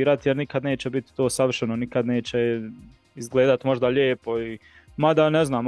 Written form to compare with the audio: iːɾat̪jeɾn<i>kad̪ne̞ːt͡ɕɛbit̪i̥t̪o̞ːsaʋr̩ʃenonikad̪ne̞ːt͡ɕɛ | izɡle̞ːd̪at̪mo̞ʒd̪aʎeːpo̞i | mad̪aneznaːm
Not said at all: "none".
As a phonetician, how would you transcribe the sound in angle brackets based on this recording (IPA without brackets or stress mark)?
i